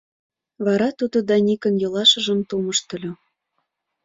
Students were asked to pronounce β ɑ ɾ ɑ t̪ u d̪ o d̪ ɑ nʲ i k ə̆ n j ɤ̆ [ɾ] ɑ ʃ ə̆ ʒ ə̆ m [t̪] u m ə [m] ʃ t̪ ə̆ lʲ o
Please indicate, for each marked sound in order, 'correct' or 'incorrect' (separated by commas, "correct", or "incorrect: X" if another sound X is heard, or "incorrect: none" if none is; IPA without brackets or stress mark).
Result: incorrect: l, correct, incorrect: none